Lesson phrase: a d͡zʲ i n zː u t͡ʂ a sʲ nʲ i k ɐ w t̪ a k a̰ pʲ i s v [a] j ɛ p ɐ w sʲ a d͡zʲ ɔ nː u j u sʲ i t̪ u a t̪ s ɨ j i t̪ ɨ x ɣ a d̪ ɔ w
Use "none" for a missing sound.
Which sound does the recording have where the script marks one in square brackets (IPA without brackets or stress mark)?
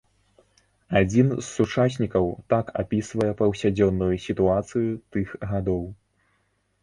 ɐ